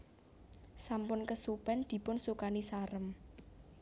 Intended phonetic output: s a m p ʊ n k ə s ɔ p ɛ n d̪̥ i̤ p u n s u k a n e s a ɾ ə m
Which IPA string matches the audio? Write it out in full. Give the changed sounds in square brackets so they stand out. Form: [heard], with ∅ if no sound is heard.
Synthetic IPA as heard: s a m p ʊ n k ə s [u] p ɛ n d̪̥ i̤ p [ʊ] n s u k a n [i] s a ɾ ə m